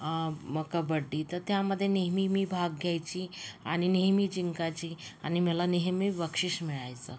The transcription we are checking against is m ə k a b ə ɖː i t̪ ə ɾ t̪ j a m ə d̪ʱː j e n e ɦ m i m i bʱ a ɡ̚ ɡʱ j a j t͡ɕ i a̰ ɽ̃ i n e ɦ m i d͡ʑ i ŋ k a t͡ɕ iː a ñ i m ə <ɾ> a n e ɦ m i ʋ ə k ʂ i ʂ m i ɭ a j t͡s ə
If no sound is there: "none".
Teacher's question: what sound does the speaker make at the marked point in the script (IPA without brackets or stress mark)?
l